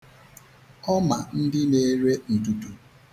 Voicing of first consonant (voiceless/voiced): voiced